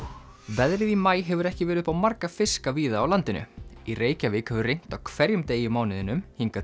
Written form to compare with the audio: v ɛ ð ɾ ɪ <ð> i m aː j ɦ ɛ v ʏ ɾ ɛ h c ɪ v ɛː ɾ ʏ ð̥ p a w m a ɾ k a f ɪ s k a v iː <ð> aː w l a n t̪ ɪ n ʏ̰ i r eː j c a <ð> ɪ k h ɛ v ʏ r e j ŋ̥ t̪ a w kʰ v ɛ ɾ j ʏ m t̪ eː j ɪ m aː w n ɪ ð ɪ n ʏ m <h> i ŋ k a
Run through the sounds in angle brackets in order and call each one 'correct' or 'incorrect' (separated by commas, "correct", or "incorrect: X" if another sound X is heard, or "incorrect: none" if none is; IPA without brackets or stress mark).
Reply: correct, correct, incorrect: v, correct